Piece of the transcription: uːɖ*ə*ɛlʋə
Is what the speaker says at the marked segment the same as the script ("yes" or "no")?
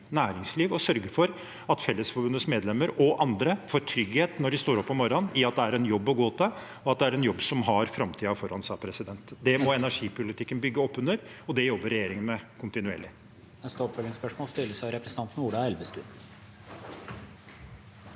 no